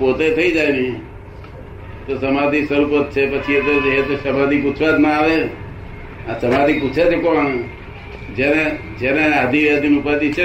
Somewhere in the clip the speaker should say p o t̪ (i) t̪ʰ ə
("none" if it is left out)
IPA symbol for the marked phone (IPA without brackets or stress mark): e